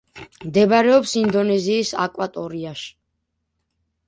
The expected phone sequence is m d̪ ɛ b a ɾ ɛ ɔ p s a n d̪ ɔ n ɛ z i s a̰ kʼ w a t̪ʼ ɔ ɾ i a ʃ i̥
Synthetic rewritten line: m d̪ ɛ b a ɾ ɛ ɔ p s i n d̪ ɔ n ɛ z iː s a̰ kʼ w a t̪ʼ ɔ ɾ i a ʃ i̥